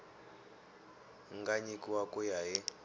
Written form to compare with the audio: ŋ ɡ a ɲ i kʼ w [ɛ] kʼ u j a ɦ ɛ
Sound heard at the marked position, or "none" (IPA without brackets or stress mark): a